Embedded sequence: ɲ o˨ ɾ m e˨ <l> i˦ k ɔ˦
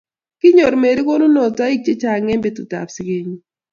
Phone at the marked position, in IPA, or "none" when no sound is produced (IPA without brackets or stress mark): ɾ